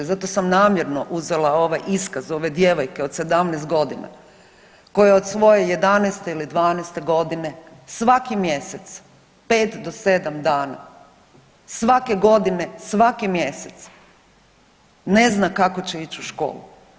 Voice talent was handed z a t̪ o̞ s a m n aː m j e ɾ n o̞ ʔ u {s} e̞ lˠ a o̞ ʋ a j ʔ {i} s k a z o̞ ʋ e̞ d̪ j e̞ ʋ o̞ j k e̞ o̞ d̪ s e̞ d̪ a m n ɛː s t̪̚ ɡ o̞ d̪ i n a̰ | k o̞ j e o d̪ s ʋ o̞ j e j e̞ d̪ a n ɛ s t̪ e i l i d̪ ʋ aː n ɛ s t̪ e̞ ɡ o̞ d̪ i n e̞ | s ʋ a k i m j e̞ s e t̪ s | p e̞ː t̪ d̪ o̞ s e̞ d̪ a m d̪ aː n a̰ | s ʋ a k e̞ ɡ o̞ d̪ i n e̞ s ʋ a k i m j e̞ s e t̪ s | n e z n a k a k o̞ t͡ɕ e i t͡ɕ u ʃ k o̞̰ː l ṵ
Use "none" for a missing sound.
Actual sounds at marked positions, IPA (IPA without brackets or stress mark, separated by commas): z, i